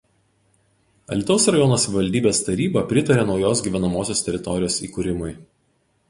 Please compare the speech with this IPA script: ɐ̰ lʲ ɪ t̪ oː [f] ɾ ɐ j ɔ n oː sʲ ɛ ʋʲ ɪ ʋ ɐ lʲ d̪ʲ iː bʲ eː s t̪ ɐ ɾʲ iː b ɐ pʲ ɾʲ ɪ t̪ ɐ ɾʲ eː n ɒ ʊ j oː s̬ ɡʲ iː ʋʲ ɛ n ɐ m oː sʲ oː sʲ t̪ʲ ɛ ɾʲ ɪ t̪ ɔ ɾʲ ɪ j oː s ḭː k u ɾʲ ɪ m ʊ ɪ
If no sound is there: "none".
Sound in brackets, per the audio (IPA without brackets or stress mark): s